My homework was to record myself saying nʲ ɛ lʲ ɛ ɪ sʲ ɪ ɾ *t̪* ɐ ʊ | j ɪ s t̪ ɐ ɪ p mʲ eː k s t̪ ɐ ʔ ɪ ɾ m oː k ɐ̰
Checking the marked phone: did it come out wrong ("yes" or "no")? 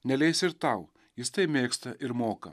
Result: no